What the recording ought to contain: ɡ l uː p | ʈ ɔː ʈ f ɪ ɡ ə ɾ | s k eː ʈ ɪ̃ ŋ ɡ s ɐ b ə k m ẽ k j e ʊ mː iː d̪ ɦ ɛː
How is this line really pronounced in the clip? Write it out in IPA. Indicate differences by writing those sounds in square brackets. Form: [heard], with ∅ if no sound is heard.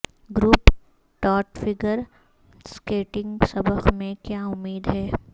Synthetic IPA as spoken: ɡ [ɾ] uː p | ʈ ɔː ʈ f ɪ ɡ ə ɾ | s k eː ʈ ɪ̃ ŋ ɡ s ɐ b ə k m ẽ k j [a] ʊ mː iː d̪ ɦ ɛː